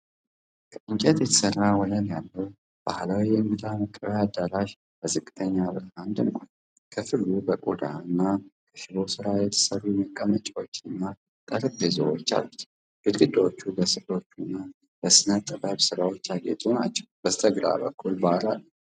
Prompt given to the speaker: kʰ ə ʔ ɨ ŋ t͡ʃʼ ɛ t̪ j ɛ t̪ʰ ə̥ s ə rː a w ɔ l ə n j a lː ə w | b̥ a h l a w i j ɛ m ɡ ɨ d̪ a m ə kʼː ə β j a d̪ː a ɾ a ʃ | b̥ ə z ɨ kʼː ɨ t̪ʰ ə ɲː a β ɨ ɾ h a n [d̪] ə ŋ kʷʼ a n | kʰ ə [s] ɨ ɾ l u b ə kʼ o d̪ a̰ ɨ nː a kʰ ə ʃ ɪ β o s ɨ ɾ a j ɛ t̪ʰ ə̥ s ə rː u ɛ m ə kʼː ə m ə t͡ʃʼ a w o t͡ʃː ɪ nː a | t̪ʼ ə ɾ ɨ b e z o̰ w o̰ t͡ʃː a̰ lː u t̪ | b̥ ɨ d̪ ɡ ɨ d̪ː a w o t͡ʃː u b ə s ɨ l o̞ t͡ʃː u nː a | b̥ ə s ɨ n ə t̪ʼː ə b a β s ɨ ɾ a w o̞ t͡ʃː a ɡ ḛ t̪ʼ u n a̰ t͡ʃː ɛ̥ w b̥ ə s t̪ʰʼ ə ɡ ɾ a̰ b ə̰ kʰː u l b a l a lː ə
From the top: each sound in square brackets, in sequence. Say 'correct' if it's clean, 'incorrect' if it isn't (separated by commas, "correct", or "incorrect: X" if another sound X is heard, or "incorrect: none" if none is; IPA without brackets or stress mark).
correct, incorrect: f